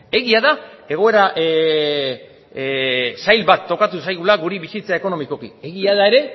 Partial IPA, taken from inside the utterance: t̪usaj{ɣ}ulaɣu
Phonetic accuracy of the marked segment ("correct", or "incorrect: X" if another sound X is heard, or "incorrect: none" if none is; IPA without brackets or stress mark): correct